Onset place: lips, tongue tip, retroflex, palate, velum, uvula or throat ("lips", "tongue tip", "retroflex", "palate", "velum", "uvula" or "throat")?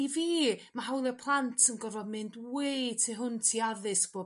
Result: lips